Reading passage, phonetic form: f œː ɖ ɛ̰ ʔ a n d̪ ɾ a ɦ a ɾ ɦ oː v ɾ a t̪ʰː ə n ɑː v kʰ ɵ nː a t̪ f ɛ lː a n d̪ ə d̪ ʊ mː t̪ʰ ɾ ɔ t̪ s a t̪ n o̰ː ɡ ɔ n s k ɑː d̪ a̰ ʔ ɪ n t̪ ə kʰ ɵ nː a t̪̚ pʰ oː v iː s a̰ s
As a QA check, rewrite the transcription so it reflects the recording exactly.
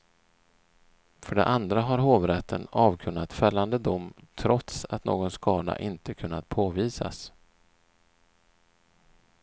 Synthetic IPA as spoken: f œ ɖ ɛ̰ ʔ a n d̪ ɾ a ɦ a ɾ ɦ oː v ɾ ɛ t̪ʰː ə n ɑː v kʰ ɵ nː a t̪ f ɛ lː a n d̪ ə d̪ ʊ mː t̪ʰ ɾ ɔ t̪ s a t̪ n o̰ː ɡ ɔ n s k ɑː d̪ a̰ ʔ ɪ n t̪ ə kʰ ɵ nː a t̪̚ pʰ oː v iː s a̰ s

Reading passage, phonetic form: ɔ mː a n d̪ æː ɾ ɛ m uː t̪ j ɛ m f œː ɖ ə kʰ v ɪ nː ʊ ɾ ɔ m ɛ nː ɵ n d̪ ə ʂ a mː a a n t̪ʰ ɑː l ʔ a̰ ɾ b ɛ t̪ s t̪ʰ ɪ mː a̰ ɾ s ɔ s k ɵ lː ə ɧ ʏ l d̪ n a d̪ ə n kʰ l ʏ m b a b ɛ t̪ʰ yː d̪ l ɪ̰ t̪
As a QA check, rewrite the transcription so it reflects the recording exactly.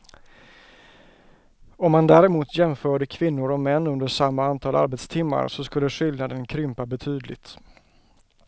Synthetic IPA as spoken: ɔ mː a n d̪ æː ɾ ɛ m uː t̪ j ɛ m f œː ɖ ə kʰ v ɪ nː ʊ ɾ ɔ m ɛ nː ɵ n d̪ ə ʂ a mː a a n t̪ʰ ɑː l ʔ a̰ ɾ b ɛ t̪ s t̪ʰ ɪ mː a̰ ɾ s ɔ s k ɵ lː ə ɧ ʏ l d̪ n a d̪ ə n kʰ ɾ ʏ m p a b ɛ t̪ʰ yː d̪ l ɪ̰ t̪

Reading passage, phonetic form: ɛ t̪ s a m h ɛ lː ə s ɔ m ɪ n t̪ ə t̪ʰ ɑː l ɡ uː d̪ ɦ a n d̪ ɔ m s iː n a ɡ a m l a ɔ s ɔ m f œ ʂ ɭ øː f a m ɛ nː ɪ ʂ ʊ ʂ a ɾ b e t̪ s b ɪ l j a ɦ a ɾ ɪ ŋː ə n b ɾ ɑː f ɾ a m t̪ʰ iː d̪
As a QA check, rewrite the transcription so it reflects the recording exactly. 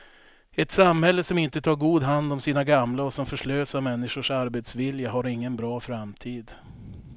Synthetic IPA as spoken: ɛ t̪ s a m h ɛ lː ə s ɔ m ɪ n t̪ ə t̪ʰ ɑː ɾ ɡ uː d̪ ɦ a n d̪ ɔ m s iː n a ɡ a m l a ɔ s ɔ m f œ ʂ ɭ øː s a m ɛ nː ɪ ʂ ʊ ʂ a ɾ b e t̪ s v ɪ l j a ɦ a ɾ ɪ ŋː ə n b ɾ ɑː f ɾ a m t̪ʰ iː d̪

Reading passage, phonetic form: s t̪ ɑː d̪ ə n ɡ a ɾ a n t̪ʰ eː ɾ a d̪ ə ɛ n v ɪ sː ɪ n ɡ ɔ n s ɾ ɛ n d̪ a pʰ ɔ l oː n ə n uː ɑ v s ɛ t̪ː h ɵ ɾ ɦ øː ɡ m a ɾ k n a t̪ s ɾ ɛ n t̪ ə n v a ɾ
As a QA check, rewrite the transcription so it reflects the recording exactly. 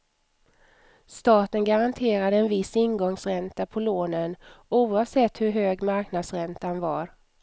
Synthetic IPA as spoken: s t̪ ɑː t̪ ə n ɡ a ɾ a n t̪ʰ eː ɾ a d̪ ə ɛ n v ɪ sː ɪ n ɡ ɔ ŋ s ɾ ɛ n t̪ a pʰ ɔ l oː n ə n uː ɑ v s ɛ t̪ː h ɵ ɾ ɦ øː ɡ m a ɾ k n a d̪ s ɾ ɛ n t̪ a n v a ɾ

